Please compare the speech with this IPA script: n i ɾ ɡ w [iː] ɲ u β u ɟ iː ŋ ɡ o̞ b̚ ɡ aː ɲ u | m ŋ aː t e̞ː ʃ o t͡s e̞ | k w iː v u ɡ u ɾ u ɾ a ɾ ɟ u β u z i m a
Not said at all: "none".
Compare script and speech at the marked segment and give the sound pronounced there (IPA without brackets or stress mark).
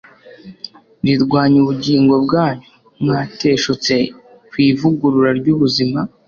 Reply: aː